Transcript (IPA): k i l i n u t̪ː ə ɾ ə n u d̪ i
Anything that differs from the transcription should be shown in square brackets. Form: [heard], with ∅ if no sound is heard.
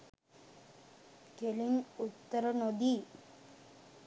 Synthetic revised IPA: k [e] l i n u t̪ː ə ɾ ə n [o] d̪ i